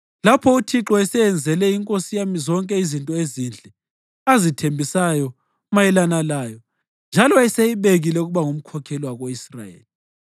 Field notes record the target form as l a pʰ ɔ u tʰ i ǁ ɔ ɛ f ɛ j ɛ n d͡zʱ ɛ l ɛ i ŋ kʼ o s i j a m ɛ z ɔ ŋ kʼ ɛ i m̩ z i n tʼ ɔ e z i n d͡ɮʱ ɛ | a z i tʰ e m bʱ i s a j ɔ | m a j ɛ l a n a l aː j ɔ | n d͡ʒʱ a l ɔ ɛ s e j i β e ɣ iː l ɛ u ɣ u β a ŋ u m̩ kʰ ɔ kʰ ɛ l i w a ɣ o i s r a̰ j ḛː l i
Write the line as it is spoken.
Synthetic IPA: l a pʰ ɔ u tʰ i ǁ ɔ ɛ s ɛ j ɛ n d͡zʱ ɛ l ɛ i ŋ kʼ o s i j a m i z ɔ ŋ kʼ ɛ i z i n tʼ ɔ e z i n d͡ɮʱ ɛ | a z i tʰ e m bʱ i s a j ɔ | m a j ɛ l a n a l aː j ɔ | n d͡ʒʱ a l ɔ ɛ s e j i β e ɣ i l ɛ u ɣ u β a ŋ u m̩ kʰ ɔ kʰ ɛ l i w a ɣ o i s r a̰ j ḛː l i